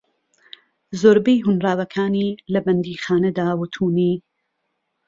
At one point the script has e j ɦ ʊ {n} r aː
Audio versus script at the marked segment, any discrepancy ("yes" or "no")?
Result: no